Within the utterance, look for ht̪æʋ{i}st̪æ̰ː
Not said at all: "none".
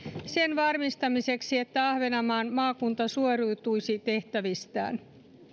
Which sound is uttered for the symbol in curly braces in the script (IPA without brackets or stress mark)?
i